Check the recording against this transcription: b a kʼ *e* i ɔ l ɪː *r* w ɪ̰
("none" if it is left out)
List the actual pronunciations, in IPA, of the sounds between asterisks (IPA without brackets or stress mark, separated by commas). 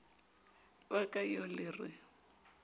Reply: a, r